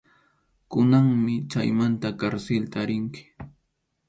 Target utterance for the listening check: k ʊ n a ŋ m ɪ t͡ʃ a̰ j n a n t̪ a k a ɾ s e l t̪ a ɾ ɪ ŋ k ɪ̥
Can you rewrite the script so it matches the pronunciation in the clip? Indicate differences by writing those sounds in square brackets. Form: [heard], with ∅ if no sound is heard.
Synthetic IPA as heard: k ʊ n a ŋ m ɪ t͡ʃ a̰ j [m] a n t̪ a k a ɾ s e l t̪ a ɾ ɪ ŋ k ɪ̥